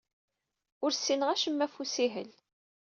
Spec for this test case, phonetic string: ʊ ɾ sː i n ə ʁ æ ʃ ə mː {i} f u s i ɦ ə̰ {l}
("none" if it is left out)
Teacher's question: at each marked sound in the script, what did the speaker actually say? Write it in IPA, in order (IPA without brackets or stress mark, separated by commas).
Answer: æ, l